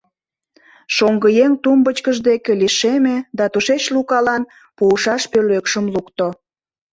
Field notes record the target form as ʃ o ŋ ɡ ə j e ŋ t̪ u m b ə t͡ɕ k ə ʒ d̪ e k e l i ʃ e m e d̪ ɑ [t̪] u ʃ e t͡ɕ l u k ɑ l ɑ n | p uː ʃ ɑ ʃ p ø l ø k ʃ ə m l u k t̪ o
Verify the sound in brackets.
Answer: correct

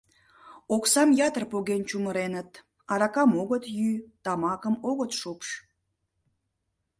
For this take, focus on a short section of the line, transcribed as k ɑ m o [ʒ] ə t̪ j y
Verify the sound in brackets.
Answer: incorrect: ɣ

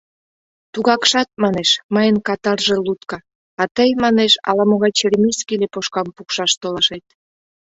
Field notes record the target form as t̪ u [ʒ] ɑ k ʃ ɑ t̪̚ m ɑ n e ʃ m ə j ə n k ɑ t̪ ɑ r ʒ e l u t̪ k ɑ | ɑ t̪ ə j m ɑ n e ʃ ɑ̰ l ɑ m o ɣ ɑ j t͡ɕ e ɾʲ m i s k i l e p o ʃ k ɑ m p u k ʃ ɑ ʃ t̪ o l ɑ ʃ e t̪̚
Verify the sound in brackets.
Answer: incorrect: ɣ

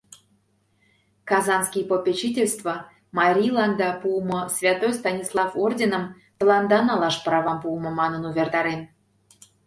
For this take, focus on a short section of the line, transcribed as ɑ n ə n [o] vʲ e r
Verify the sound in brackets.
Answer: incorrect: u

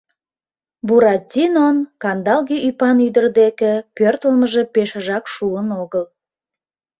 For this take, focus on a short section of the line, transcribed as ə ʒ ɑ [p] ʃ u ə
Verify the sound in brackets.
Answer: incorrect: k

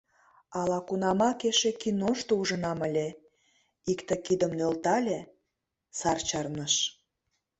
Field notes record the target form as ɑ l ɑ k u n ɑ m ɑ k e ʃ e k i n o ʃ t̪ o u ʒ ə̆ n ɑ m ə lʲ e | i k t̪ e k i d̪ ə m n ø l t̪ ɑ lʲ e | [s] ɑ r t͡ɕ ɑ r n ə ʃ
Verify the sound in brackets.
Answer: correct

